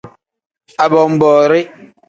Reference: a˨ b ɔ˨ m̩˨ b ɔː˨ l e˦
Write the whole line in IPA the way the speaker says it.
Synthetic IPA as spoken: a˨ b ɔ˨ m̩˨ b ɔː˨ ɾ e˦